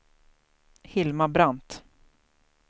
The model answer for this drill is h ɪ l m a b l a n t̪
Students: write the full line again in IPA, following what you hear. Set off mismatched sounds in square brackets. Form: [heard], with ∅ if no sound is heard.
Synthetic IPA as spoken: h ɪ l m a b [ɾ] a n t̪